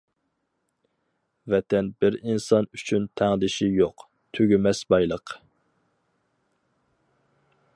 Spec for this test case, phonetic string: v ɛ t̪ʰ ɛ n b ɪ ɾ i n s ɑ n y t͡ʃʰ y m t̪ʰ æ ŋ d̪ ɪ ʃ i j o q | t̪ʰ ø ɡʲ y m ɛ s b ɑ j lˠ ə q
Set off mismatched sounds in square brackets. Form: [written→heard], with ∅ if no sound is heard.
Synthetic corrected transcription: v ɛ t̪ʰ ɛ n b ɪ ɾ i n s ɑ n y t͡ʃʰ y [m→n] t̪ʰ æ ŋ d̪ ɪ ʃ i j o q | t̪ʰ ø ɡʲ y m ɛ s b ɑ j lˠ ə q